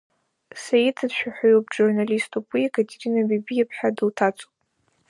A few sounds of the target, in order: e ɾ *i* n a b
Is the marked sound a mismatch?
no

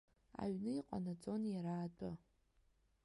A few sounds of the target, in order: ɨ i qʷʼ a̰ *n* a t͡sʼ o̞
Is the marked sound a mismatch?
no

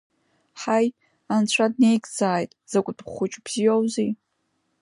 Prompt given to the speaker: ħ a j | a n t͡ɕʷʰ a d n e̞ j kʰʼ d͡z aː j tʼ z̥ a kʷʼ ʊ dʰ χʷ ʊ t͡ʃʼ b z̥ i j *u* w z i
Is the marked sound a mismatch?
yes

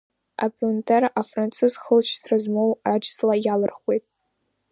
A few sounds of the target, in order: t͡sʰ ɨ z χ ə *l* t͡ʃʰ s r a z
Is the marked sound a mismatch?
no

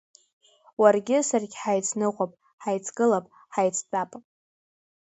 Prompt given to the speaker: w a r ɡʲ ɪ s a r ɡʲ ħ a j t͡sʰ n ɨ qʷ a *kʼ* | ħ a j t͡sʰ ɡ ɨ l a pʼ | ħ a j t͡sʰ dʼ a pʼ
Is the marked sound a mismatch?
yes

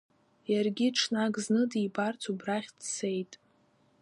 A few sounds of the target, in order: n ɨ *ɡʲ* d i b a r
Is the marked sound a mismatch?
yes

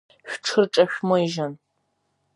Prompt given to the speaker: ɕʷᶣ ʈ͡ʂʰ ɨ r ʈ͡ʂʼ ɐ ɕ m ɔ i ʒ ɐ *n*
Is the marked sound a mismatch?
no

